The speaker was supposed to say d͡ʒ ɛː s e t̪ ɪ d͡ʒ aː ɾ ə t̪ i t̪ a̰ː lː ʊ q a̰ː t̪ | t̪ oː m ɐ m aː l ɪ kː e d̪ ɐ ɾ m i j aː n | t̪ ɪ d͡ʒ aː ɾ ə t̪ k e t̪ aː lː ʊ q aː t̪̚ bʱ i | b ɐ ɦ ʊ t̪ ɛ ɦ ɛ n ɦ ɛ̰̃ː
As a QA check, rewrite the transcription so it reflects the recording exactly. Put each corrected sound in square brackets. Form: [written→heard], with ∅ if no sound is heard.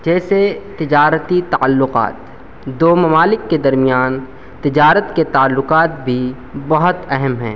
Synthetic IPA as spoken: d͡ʒ ɛː s e t̪ ɪ d͡ʒ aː ɾ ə t̪ i t̪ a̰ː lː ʊ q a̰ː t̪ | [t̪→d̪] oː m ɐ m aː l ɪ kː e d̪ ɐ ɾ m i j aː n | t̪ ɪ d͡ʒ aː ɾ ə t̪ k e t̪ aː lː ʊ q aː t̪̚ bʱ i | b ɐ ɦ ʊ t̪ ɛ ɦ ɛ [n→m] ɦ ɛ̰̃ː